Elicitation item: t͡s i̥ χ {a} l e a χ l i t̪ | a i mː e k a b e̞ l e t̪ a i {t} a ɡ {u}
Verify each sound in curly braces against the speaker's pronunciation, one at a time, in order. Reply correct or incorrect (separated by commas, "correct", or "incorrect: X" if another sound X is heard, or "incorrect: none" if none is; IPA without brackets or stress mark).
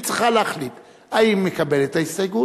correct, incorrect: s, correct